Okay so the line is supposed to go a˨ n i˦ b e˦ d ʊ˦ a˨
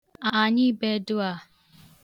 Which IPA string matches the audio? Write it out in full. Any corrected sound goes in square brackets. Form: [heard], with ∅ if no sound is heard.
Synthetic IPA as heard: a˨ [ɲ] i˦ b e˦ d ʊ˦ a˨